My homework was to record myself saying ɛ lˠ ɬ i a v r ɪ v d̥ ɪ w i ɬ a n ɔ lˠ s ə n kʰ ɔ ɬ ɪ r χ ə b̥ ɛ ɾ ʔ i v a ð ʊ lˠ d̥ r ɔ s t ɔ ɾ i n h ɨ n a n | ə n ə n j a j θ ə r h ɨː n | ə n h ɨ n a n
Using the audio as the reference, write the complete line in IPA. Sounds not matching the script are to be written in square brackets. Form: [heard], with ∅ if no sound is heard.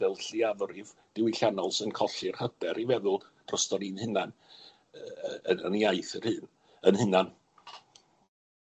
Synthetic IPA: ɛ lˠ ɬ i a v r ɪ v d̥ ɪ w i ɬ a n ɔ lˠ s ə n kʰ ɔ ɬ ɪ r [h] ə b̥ ɛ ɾ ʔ i v [ɛ] ð ʊ lˠ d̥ r ɔ s t ɔ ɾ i n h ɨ n a n | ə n ə n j a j θ ə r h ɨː n | ə n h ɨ n a n